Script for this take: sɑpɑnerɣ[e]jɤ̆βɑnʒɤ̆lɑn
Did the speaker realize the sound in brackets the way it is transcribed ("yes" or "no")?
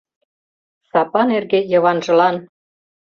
yes